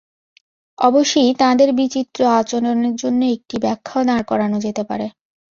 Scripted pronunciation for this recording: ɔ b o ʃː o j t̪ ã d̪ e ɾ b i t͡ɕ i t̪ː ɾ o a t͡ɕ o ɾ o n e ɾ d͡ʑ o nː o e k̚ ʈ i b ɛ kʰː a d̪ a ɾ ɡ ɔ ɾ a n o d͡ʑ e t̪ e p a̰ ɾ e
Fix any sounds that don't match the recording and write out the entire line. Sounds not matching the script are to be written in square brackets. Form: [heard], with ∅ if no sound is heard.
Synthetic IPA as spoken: ɔ b o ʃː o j t̪ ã d̪ e ɾ b i t͡ɕ i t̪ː ɾ o a t͡ɕ o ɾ o n e ɾ d͡ʑ o nː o e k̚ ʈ i b ɛ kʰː a d̪ a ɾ [k] ɔ ɾ a n o d͡ʑ e t̪ e p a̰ ɾ e